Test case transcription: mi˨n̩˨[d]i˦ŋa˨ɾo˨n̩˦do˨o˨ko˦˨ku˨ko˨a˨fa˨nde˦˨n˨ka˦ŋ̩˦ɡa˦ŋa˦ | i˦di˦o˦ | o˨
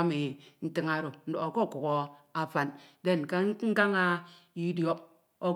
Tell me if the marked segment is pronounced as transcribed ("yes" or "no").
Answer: no